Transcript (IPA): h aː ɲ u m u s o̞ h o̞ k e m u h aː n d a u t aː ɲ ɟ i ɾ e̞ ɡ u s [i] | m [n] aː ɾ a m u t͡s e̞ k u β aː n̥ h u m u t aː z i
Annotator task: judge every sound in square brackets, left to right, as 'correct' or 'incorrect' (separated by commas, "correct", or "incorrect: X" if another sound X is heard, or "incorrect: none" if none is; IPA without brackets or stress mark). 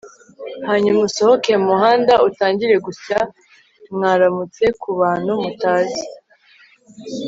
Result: incorrect: a, incorrect: ŋ